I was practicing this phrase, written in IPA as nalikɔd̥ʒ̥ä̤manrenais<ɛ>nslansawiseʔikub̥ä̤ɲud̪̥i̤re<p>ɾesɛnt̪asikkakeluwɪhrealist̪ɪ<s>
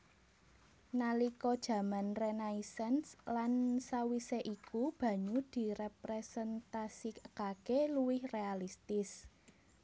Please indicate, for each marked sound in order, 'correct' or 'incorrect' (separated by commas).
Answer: correct, correct, correct